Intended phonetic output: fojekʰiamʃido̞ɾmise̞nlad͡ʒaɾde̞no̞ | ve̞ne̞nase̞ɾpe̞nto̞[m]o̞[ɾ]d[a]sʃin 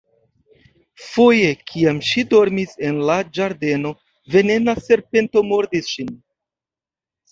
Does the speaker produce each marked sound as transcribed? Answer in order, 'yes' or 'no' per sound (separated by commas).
yes, yes, no